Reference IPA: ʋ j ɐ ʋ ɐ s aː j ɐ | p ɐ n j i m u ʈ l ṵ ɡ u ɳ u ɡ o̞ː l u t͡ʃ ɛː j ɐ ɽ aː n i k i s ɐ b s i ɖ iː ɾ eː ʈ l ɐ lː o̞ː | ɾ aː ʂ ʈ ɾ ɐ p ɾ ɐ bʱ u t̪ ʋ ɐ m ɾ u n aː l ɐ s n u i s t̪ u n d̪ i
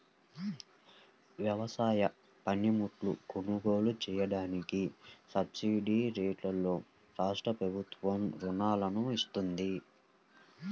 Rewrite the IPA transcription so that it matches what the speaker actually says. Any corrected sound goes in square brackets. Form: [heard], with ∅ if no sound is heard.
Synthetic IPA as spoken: ʋ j ɐ ʋ ɐ s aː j ɐ | p ɐ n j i m u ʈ l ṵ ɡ u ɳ u ɡ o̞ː l u t͡ʃ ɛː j ɐ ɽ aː n i k i s ɐ b s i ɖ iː ɾ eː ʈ l ɐ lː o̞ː | ɾ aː ʂ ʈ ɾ ɐ p ɾ ɐ bʱ u t̪ ʋ ɐ m ɾ u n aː l ɐ [∅] n u i s t̪ u n d̪ i